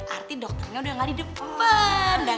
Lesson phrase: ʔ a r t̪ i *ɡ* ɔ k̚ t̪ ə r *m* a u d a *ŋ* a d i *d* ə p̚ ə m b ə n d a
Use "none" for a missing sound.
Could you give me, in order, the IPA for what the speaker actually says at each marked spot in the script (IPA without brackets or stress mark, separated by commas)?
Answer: d, ɲ, ŋ, d